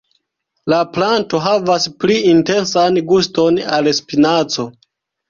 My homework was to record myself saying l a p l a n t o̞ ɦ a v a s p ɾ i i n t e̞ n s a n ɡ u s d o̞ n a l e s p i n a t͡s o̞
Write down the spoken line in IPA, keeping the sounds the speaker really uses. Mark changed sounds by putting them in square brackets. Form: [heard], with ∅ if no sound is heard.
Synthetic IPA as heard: l a p l a n t o̞ ɦ a v a s p [l] i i n t e̞ n s a n ɡ u s [t] o̞ n a l e s p i n a t͡s o̞